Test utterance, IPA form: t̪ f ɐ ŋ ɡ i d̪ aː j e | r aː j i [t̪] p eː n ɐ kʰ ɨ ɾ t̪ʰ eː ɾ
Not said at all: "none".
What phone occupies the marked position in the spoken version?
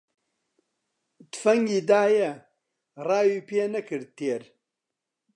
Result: none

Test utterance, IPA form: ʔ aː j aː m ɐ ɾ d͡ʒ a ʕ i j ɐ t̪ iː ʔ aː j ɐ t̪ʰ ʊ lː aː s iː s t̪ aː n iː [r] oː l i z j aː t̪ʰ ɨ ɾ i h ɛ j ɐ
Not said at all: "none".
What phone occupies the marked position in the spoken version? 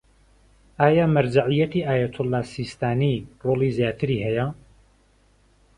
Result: r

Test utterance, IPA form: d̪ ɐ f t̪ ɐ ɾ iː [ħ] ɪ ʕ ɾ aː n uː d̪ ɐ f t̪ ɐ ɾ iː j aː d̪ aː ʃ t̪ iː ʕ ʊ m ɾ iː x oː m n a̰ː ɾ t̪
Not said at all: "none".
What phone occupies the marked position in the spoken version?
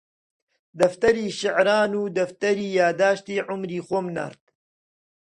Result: ʃ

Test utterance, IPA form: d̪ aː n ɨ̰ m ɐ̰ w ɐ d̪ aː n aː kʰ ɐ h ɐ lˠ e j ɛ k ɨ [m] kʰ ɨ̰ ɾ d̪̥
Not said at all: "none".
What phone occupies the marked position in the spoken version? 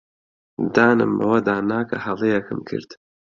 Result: m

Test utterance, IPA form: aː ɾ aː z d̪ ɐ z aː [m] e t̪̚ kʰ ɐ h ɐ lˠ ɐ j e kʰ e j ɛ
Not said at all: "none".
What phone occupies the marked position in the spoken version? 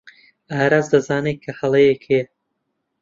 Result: n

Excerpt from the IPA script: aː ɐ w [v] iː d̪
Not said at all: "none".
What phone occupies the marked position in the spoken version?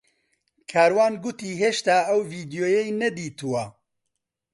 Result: v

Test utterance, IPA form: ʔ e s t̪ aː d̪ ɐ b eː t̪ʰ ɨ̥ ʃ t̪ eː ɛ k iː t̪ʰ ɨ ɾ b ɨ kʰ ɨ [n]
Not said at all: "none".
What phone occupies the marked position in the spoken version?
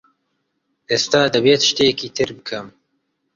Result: m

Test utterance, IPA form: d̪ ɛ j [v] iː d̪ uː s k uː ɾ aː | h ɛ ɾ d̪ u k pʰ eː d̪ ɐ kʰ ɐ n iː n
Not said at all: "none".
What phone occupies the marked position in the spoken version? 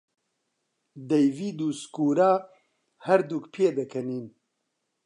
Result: v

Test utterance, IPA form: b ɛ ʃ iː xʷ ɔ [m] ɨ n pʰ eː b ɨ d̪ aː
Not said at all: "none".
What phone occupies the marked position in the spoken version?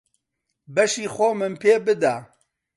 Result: m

